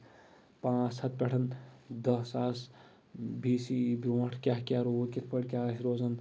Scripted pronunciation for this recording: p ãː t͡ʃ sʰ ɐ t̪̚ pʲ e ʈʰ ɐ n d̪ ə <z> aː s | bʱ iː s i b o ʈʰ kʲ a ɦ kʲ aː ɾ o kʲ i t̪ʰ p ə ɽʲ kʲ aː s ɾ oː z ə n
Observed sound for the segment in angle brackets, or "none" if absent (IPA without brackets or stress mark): s